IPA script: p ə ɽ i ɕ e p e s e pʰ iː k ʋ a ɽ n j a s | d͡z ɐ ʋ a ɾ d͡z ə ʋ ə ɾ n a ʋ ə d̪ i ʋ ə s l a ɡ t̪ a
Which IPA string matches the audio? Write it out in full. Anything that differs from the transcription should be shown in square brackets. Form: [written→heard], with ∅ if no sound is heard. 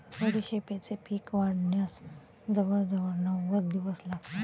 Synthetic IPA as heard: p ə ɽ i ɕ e p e [s→t͡s] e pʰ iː k ʋ a ɽ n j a s | d͡z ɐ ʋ [a→ə] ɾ d͡z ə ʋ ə ɾ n a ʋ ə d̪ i ʋ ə s l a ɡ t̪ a

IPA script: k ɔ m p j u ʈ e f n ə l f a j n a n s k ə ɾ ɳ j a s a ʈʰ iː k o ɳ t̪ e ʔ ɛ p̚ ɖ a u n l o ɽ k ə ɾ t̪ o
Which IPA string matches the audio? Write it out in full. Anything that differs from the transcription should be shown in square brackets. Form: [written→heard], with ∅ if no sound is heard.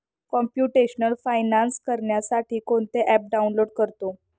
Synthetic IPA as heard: k ɔ m p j u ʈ e [f→ɕ] n ə l f a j n a n s k ə ɾ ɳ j a s a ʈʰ iː k o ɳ t̪ e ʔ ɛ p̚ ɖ a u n l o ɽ k ə ɾ t̪ o

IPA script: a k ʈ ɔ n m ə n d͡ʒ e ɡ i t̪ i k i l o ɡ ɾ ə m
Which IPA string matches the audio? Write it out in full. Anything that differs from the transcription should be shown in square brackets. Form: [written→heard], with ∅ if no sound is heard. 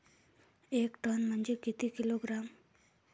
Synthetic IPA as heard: [a→e] k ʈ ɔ n m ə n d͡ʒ e [ɡ→k] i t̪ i k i l o ɡ ɾ [ə→a] m

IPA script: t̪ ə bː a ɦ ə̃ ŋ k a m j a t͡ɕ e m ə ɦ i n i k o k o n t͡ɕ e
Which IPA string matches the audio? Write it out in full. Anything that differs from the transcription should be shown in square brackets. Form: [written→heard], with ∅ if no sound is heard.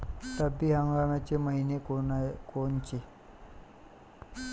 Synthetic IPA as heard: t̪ ə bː [a→i] ɦ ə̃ ŋ [k→ɡ] a m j a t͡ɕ e m ə ɦ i n [i→e] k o k o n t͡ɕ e

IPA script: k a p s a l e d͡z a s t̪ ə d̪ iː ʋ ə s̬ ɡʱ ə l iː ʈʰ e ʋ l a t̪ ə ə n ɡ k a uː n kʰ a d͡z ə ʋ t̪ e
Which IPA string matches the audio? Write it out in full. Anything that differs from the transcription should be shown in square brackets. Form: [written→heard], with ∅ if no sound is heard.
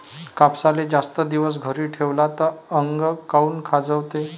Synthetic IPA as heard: k a p s a l e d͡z a s t̪ ə d̪ [iː→i] ʋ ə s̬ ɡʱ ə [l→ɾ] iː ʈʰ e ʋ l a t̪ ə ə [n→ŋ] ɡ k a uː n kʰ a d͡z ə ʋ t̪ e

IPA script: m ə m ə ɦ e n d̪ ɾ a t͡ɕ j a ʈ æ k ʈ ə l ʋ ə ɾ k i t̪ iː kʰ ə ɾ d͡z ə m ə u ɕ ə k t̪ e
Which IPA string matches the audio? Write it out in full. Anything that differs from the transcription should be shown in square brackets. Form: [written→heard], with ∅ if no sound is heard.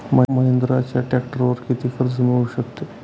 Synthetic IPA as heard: m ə m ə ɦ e n d̪ ɾ a t͡ɕ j a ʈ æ k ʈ ə [l→ɾ] ʋ ə ɾ k i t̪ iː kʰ ə ɾ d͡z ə m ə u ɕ ə k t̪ e

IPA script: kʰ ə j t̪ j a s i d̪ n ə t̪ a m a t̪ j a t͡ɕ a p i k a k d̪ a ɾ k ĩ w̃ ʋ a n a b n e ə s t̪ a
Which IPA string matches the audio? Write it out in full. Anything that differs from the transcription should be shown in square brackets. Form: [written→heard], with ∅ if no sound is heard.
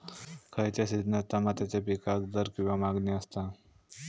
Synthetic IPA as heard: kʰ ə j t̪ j a s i d̪ n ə t̪ a m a t̪ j a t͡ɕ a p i k a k d̪ [a→ə] ɾ k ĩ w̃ ʋ a [n→m] a [b→ɡ] n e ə s t̪ a

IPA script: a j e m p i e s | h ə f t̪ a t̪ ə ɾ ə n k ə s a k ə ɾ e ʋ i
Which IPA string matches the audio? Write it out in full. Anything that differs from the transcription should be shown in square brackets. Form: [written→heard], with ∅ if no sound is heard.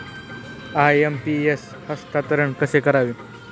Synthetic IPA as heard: a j e m p i e s | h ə [f→s] t̪ a t̪ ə ɾ ə [n→ɳ] k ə s [a→e] k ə ɾ [e→a] ʋ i

